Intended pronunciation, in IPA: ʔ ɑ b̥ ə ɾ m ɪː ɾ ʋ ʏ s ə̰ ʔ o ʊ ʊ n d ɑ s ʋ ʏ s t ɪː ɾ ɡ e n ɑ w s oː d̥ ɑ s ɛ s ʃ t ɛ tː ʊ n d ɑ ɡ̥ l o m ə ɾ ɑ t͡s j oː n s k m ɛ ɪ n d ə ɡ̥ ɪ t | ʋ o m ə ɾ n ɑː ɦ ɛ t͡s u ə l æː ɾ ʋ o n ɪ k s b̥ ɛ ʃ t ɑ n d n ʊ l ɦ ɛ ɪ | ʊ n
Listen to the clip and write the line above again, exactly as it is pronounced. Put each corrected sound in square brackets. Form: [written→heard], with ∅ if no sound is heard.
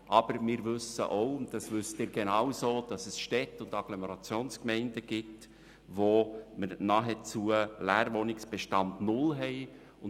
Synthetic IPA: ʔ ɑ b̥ ə ɾ m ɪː ɾ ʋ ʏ s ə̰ ʔ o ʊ ʊ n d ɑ s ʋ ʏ s t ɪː ɾ ɡ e n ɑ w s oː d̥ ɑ s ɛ s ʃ t ɛ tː ʊ n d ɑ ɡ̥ l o m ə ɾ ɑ t͡s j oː n s k m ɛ ɪ n d ə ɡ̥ ɪ t | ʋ o m ə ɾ n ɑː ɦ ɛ t͡s u ə l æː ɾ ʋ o n ɪ k s b̥ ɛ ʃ t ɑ n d n ʊ l ɦ ɛ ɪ | ʊ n